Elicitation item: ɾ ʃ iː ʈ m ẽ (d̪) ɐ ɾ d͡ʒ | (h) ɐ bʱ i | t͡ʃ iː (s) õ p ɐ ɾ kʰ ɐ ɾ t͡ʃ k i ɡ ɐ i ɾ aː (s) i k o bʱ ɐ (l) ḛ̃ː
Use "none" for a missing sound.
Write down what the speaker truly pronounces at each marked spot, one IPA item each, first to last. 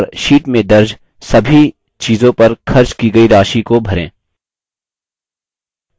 d̪, s, z, ʃ, ɾ

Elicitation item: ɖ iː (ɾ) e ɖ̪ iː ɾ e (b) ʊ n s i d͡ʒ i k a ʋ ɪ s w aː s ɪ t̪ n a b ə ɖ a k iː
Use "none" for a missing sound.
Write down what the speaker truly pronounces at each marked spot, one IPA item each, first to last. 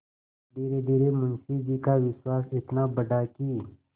ɾ, m

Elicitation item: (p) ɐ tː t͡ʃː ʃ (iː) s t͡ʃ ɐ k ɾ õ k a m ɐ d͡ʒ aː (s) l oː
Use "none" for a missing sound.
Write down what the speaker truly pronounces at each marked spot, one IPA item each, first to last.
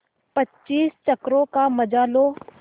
p, iː, none

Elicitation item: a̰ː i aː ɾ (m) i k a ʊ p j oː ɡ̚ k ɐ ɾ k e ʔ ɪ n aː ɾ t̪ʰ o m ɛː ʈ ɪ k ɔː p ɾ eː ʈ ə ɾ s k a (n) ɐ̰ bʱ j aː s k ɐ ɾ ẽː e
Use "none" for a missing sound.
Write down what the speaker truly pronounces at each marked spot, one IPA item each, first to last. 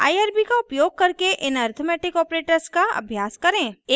b, none

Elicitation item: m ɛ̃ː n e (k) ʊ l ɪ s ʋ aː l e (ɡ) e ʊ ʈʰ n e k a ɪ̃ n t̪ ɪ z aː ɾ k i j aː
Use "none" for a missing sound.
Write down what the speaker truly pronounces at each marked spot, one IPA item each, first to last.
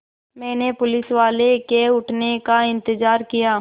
p, k

